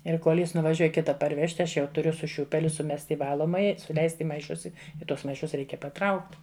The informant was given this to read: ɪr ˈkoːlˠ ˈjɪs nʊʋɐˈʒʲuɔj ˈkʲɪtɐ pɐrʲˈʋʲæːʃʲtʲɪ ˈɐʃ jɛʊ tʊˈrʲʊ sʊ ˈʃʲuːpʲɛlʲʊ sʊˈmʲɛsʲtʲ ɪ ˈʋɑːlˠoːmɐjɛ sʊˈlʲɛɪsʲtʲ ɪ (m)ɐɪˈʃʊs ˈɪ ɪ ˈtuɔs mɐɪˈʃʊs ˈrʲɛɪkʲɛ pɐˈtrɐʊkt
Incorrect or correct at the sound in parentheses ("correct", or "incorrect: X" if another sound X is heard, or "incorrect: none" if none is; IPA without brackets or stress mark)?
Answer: correct